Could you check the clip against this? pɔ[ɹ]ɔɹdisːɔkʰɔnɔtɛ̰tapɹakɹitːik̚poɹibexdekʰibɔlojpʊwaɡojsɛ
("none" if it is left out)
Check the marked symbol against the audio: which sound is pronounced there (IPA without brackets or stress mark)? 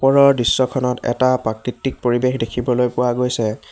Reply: ɹ